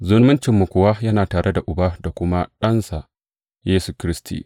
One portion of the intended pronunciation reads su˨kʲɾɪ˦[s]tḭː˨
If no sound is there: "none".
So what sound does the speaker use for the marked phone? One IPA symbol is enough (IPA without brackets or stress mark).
s